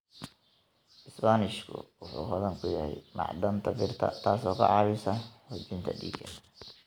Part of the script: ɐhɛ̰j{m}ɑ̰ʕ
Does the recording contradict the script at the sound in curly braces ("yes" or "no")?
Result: no